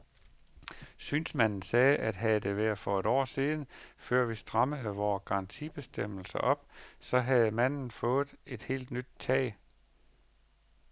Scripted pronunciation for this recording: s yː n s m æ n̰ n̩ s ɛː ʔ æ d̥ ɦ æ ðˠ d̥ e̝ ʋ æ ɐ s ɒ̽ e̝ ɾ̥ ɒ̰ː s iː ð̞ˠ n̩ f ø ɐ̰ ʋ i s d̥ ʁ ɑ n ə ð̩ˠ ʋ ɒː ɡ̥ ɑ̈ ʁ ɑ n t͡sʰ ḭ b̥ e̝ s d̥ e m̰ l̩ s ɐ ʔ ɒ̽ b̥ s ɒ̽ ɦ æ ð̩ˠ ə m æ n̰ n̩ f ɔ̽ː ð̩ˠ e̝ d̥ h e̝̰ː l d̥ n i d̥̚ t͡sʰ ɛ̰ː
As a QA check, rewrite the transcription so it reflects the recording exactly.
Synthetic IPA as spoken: s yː n s m æ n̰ n̩ s ɛː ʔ æ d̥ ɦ æ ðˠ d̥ e̝ ʋ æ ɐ f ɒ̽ e̝ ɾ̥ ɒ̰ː s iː ð̞ˠ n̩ f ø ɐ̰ ʋ i s d̥ ʁ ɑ m ə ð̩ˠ ʋ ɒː ɡ̥ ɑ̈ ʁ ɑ n t͡sʰ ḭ b̥ e̝ s d̥ e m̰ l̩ s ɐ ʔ ɒ̽ b̥ s ɒ̽ ɦ æ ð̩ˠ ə m æ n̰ n̩ f ɔ̽ː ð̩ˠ e̝ d̥ h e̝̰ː l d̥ n y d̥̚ t͡sʰ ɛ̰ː